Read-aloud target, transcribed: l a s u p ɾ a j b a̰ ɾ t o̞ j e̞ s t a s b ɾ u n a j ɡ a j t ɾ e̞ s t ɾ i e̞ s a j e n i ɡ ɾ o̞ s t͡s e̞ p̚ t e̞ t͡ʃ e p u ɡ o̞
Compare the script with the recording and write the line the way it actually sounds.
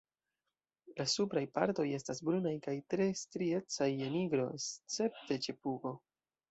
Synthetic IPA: l a s u p ɾ a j p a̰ ɾ t o̞ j e̞ s t a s b ɾ u n a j k a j t ɾ e̞ s t ɾ i e̞ t͡s a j e n i ɡ ɾ o̞ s t͡s e̞ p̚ t e̞ t͡ʃ e p u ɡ o̞